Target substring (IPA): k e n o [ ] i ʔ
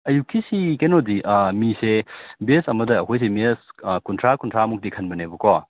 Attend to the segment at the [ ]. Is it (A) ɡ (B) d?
B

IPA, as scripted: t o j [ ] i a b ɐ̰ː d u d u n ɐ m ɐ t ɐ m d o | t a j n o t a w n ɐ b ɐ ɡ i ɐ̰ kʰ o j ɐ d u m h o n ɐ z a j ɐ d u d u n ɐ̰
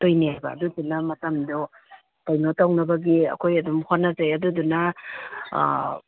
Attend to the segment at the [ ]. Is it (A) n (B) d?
A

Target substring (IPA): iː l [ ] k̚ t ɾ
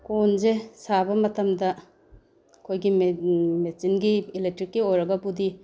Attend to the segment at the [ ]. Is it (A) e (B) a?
A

